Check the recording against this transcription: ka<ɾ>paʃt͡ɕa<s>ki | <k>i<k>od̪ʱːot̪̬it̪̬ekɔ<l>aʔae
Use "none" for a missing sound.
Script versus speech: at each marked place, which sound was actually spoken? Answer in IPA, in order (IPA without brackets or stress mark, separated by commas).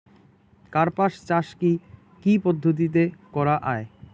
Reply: ɾ, ʃ, k, p, ɾ